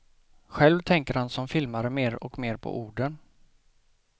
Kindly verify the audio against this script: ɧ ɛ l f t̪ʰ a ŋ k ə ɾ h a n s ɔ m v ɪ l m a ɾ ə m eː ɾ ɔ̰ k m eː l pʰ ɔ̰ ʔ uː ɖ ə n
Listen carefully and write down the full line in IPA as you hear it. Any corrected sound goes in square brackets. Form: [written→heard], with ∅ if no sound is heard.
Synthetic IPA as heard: ɧ ɛ l [f→v] t̪ʰ [a→ɛ] ŋ k ə ɾ h a n s ɔ m [v→f] ɪ l m a ɾ ə m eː ɾ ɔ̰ k m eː [l→ɾ] pʰ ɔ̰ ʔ uː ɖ ə n

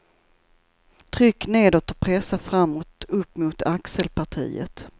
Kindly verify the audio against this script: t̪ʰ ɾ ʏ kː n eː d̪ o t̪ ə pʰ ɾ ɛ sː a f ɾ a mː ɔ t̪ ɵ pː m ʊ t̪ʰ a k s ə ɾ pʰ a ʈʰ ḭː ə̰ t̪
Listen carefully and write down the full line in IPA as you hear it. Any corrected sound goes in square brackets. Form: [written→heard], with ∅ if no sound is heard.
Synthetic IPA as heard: t̪ʰ ɾ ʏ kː n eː d̪ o t̪ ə pʰ ɾ ɛ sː a f ɾ a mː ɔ t̪ ɵ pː m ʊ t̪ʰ a k s ə [ɾ→l] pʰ a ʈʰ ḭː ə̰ t̪

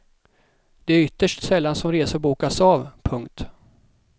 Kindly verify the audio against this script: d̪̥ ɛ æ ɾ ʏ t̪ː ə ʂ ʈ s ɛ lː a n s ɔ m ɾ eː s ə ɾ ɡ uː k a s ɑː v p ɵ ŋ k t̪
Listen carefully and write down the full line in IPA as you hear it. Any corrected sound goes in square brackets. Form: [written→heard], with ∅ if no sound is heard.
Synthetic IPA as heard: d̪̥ ɛ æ ɾ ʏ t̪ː ə ʂ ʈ s ɛ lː a n s ɔ m ɾ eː s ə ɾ [ɡ→b] uː k a s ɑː v [p→pʰ] ɵ ŋ k t̪

